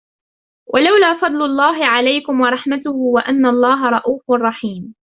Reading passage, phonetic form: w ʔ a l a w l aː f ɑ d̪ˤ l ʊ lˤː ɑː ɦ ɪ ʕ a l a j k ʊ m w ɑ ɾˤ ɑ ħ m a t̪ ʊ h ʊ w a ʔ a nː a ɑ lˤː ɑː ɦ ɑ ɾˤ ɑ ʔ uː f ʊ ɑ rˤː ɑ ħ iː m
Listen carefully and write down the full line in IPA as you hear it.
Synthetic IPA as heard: w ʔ a l a w l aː f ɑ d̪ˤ l ʊ lˤː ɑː ɦ ɪ ʕ a l a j k ʊ m w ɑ ɾˤ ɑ ħ m a t̪ ʊ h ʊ w a ʔ a nː a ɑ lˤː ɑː ɦ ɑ ɾˤ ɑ ʔ uː f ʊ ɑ rˤː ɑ ħ iː m